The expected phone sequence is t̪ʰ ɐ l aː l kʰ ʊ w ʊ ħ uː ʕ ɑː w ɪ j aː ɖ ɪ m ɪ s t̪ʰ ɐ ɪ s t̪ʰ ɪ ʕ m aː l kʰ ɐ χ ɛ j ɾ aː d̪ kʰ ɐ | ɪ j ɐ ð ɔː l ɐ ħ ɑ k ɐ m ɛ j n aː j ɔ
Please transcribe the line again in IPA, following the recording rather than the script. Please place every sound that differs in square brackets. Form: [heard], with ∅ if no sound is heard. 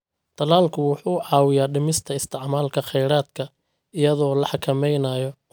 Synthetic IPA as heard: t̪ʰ ɐ l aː l kʰ ʊ w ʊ ħ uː ʕ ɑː w ɪ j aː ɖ ɪ m ɪ s t̪ʰ ɐ ɪ s t̪ʰ ɪ ʕ m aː l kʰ ɐ χ ɛ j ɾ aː d̪ kʰ ɐ | ɪ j ɐ ð ɔː l ɐ ħ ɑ [kʰ] ɐ m ɛ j n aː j ɔ